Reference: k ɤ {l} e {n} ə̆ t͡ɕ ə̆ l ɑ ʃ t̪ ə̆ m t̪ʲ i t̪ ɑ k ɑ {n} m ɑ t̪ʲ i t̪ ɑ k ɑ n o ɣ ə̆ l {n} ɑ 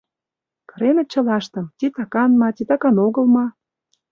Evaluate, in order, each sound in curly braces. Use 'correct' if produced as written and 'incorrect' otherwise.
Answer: incorrect: ɾ, correct, correct, incorrect: m

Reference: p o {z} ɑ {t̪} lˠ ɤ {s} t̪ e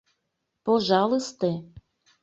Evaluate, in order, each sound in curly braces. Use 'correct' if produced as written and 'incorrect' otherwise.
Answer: incorrect: ʒ, incorrect: none, correct

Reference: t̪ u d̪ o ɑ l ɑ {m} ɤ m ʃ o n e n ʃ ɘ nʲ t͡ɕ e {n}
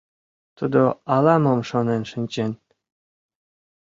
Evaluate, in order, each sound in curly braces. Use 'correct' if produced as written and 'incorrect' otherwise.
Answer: correct, correct

